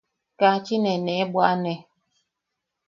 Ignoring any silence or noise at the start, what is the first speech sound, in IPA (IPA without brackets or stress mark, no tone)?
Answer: k